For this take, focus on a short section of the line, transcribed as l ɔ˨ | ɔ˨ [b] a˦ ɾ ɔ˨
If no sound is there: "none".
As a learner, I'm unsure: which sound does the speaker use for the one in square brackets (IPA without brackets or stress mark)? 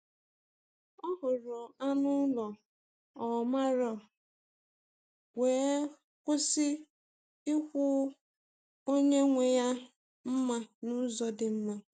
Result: m